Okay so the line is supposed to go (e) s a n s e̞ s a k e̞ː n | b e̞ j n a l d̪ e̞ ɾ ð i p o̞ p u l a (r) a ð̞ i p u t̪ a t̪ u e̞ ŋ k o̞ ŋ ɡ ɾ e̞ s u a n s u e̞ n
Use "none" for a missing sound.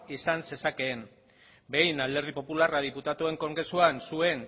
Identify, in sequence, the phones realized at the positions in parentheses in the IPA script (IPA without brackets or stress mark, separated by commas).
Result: i, r